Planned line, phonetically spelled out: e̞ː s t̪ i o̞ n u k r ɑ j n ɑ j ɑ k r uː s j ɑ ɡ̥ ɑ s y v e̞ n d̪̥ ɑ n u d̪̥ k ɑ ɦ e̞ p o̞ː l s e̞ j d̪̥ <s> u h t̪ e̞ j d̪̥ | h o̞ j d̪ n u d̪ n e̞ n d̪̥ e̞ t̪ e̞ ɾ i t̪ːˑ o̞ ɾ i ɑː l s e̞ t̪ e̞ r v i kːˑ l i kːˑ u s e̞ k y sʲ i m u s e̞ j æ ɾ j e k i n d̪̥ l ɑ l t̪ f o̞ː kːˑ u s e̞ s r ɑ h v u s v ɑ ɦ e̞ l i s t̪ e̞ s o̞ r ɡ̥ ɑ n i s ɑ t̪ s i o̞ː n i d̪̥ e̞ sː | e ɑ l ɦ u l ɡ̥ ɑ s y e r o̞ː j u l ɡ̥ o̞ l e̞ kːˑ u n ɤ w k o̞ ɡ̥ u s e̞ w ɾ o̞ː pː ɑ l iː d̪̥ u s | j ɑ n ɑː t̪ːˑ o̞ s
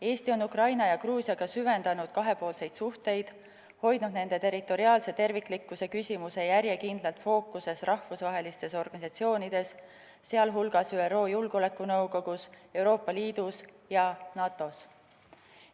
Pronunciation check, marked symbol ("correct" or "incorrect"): correct